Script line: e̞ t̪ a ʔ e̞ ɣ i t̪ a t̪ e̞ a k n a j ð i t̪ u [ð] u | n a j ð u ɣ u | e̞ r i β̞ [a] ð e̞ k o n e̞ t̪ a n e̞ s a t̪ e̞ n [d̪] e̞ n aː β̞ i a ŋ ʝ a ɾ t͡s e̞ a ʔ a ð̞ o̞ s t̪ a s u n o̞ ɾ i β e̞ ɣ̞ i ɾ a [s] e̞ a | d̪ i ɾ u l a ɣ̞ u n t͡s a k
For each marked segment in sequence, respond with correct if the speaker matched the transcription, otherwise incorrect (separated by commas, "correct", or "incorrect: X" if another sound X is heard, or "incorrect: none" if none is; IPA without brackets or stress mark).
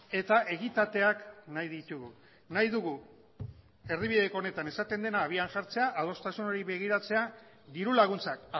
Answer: incorrect: ɣ, incorrect: i, correct, incorrect: t͡s